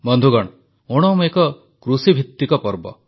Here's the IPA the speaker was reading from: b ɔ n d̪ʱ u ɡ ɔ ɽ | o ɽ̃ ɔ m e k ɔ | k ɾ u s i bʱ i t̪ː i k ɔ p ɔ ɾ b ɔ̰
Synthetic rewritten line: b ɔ n d̪ʱ u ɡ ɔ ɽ | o ɽ̃ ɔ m e k ɔ | k ɾ u s i bʱ i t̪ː i k ɔ p ɔ ɾ b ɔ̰